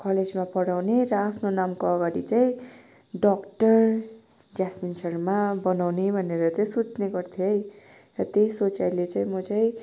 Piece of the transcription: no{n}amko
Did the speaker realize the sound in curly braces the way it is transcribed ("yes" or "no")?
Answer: yes